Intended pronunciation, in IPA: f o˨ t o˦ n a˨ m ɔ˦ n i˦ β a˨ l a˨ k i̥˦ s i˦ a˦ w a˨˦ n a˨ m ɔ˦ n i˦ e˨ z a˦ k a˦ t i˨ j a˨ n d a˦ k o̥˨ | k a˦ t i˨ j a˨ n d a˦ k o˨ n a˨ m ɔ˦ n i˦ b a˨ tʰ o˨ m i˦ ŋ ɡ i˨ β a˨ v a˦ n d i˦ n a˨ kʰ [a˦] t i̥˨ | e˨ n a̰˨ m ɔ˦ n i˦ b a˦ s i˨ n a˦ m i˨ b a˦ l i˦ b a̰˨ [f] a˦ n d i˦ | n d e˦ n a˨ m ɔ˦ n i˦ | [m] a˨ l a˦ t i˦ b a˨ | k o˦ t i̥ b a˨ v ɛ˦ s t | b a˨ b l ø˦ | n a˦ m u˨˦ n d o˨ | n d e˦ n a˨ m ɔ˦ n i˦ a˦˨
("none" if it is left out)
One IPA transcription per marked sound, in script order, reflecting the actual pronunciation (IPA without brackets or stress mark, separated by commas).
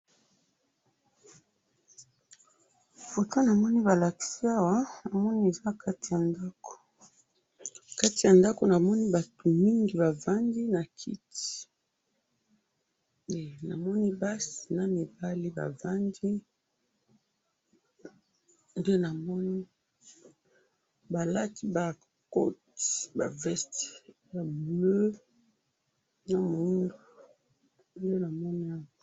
i˦, v, b